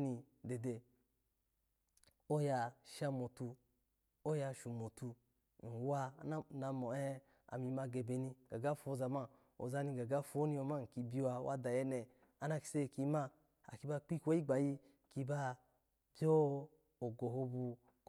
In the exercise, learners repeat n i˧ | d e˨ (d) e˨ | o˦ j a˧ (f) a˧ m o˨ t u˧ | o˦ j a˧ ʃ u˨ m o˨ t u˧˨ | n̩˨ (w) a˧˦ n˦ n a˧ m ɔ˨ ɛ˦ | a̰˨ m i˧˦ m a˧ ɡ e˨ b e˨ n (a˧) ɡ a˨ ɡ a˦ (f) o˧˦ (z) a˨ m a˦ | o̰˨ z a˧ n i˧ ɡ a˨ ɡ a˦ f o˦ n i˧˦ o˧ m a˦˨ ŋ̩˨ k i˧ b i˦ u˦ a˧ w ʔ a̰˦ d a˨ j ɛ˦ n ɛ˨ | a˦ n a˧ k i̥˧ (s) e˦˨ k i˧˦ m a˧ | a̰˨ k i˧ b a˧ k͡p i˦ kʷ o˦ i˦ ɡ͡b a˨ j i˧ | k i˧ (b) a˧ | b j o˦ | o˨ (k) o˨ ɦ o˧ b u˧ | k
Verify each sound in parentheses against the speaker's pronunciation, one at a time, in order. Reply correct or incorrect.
correct, incorrect: ʃ, correct, incorrect: i˧, correct, correct, correct, correct, incorrect: ɡ

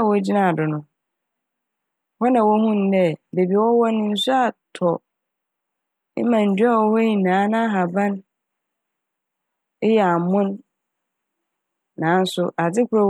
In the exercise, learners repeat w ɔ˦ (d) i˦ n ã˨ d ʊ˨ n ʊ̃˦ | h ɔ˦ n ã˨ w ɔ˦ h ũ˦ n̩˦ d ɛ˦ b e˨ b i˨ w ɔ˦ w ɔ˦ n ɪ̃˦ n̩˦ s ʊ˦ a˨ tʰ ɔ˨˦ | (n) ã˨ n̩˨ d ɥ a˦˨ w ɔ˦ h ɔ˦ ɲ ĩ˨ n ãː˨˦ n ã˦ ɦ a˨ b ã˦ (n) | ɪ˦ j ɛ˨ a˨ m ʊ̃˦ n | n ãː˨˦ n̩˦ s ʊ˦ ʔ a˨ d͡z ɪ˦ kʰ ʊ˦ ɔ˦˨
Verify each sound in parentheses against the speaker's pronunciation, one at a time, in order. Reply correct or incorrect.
incorrect: d͡ʑ, incorrect: m, correct

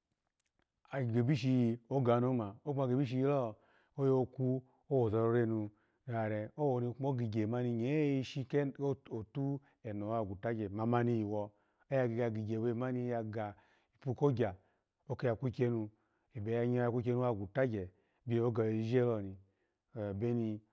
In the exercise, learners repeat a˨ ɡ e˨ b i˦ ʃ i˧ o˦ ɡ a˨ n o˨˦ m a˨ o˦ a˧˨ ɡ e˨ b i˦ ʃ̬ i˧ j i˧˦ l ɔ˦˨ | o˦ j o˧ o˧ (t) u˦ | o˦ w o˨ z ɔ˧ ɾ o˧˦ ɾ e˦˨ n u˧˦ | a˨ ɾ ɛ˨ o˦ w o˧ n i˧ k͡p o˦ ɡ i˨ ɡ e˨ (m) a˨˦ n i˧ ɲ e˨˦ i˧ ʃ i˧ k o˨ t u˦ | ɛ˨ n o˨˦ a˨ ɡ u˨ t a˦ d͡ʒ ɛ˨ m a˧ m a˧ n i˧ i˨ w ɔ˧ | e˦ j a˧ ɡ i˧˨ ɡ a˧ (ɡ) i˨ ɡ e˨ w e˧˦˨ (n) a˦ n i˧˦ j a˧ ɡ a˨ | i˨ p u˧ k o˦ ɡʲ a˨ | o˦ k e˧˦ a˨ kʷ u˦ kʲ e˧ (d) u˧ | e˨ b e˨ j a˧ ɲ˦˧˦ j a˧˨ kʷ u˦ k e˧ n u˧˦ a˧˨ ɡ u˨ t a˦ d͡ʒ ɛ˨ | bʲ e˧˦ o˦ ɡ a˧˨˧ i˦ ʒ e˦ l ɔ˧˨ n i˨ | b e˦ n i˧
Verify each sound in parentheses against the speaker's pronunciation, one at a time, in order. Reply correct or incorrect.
incorrect: k, correct, correct, incorrect: m, incorrect: n

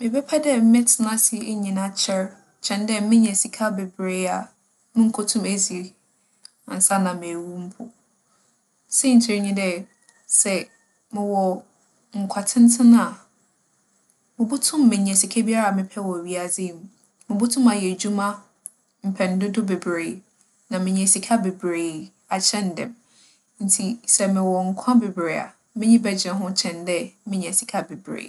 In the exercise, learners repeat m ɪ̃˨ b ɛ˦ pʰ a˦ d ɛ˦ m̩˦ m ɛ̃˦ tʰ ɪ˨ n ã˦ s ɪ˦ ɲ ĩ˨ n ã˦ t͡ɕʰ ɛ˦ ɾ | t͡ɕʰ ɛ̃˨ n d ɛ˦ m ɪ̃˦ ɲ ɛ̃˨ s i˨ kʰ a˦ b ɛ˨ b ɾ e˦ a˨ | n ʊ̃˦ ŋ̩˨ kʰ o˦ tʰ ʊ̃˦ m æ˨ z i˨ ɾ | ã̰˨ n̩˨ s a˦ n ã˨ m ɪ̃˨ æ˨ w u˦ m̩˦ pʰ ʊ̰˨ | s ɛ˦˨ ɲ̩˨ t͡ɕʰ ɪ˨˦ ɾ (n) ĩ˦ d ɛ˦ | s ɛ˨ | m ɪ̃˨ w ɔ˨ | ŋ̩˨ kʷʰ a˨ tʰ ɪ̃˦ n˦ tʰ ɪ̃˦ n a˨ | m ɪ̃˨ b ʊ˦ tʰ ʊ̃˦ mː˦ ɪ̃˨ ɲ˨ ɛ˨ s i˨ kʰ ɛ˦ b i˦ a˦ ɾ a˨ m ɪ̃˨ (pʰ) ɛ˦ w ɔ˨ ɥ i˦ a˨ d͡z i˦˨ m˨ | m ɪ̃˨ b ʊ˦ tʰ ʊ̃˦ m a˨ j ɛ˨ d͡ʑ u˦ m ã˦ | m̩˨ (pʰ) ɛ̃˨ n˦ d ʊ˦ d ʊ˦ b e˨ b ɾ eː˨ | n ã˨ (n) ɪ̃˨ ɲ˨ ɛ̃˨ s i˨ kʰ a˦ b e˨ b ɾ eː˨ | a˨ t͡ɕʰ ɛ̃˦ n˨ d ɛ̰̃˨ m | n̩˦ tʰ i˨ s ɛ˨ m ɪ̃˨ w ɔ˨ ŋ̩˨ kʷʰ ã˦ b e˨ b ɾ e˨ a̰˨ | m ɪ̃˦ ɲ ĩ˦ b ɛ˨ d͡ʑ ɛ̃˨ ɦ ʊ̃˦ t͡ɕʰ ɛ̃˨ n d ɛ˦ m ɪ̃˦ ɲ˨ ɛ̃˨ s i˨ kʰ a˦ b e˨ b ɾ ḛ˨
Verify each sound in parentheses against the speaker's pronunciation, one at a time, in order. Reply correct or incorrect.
incorrect: ɲ, correct, correct, incorrect: m

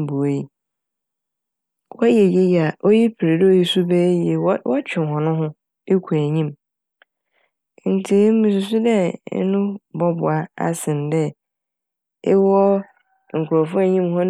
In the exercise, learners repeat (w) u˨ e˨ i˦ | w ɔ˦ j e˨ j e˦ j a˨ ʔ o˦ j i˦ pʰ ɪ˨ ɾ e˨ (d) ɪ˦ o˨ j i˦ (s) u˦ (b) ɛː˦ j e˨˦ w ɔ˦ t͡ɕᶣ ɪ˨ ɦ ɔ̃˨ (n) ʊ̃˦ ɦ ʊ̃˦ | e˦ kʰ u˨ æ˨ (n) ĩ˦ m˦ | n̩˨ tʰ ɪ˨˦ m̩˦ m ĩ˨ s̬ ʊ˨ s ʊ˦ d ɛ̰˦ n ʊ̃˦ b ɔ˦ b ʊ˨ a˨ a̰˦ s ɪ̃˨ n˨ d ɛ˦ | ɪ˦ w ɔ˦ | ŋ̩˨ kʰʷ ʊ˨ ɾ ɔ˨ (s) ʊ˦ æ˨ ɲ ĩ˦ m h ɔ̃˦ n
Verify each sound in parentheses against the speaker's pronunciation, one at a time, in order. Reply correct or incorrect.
incorrect: b, correct, correct, correct, correct, incorrect: ɲ, incorrect: f

